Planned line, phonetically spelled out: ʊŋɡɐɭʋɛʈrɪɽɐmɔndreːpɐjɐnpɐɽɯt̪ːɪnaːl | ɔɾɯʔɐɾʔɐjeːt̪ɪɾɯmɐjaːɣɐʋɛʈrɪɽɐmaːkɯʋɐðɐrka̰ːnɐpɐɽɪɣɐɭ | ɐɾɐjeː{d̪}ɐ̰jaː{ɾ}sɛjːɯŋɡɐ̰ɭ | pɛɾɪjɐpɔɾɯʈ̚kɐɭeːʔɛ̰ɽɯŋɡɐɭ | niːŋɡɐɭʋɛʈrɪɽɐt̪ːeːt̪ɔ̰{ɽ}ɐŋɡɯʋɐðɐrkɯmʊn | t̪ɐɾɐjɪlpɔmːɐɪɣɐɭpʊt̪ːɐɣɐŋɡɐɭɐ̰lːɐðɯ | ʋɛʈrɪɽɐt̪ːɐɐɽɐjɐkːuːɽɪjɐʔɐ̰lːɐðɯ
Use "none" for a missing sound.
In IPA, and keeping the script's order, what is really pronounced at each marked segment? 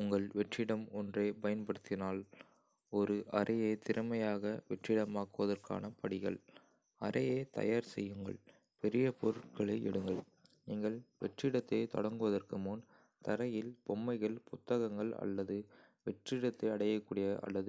t̪, ɾ, ɽ

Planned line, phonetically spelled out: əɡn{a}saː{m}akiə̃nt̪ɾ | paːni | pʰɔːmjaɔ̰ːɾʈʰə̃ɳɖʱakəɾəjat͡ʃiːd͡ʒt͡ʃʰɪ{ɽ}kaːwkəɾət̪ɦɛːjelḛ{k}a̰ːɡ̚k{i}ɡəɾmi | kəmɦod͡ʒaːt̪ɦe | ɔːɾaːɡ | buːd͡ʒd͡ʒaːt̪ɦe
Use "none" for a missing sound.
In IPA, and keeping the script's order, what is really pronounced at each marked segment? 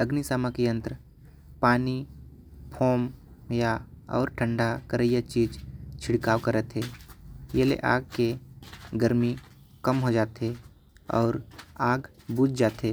i, m, ɽ, ʔ, e

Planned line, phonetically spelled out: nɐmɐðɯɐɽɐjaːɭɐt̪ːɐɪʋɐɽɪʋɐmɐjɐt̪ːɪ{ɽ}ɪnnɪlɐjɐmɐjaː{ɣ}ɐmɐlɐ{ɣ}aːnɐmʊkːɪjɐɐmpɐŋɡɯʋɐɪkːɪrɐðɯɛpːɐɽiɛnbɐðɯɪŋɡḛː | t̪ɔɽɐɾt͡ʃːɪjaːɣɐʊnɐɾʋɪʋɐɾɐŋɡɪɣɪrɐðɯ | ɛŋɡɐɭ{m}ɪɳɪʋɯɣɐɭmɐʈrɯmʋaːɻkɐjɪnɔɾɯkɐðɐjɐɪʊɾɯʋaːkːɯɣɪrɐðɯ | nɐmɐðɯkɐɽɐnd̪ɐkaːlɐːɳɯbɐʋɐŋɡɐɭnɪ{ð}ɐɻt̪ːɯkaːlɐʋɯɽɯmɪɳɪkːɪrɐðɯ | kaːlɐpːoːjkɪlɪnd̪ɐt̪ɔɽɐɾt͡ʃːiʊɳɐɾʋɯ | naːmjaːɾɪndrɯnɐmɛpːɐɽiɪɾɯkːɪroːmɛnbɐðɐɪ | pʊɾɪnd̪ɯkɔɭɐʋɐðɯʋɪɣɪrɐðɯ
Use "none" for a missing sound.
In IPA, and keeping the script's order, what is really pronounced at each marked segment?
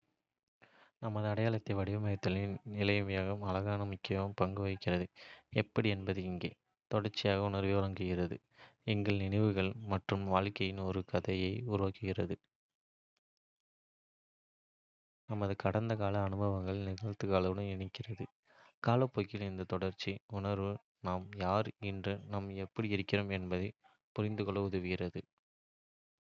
l, ɣ, ɣ, n, ɣ

